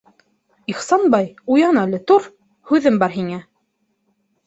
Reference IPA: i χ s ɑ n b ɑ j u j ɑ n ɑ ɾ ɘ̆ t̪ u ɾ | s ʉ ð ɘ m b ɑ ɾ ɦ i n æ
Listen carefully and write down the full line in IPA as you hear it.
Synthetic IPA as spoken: i χ s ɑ n b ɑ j u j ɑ n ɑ l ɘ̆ t̪ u ɾ | h ʉ ð ɘ m b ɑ ɾ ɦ i ŋ æ